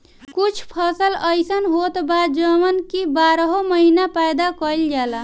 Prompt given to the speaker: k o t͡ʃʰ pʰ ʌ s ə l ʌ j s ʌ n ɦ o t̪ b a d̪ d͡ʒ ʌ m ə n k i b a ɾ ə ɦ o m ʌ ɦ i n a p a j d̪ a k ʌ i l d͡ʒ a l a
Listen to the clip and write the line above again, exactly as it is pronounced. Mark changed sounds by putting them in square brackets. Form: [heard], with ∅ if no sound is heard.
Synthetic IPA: k [u] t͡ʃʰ pʰ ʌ s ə l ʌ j s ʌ n ɦ o t̪ b a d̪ d͡ʒ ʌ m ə n k i b a ɾ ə ɦ o m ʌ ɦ i n a p a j d̪ a k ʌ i l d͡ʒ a l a